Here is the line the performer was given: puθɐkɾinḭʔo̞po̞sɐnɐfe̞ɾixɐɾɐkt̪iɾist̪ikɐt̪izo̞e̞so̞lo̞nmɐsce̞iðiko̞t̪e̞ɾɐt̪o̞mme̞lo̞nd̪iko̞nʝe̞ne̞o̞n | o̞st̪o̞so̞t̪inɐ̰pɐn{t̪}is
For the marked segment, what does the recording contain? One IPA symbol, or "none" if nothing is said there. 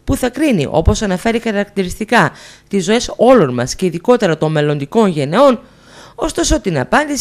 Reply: d̪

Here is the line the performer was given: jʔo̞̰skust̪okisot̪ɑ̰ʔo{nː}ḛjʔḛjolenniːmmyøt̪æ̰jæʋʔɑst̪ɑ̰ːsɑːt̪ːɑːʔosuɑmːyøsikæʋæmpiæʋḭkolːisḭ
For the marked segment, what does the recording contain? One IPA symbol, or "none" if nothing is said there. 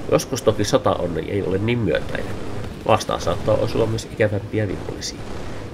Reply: nː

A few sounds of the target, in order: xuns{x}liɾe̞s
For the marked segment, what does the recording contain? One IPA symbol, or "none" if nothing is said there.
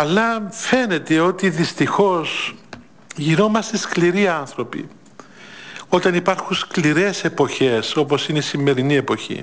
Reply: k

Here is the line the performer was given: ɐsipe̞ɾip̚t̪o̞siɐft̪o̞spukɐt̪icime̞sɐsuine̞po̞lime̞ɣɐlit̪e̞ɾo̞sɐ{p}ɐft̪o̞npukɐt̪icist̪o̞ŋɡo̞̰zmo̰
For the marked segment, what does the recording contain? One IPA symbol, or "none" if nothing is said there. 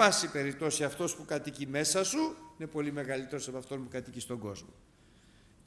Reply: p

